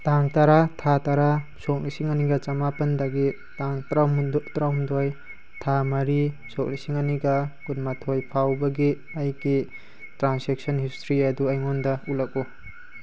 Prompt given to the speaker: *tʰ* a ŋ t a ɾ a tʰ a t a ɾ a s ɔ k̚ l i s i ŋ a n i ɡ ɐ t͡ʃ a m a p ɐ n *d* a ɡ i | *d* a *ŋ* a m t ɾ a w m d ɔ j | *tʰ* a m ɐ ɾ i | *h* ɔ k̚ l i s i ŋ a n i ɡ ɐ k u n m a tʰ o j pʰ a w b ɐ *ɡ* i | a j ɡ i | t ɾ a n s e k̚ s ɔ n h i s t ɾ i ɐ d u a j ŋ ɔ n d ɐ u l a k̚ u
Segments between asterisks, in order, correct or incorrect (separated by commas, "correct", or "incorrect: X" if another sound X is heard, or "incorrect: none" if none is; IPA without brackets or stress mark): incorrect: t, correct, incorrect: t, correct, correct, incorrect: s, correct